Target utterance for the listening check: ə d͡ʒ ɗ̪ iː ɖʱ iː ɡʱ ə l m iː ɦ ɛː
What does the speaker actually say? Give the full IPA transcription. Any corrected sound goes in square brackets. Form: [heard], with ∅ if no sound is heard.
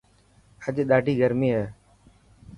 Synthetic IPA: ə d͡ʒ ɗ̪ [aː] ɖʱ iː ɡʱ ə [ɾ] m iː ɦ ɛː